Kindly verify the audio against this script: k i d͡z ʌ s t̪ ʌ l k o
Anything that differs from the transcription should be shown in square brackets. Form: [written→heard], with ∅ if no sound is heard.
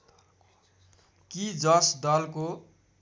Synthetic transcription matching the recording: k i d͡z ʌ s [t̪→d̪] ʌ l k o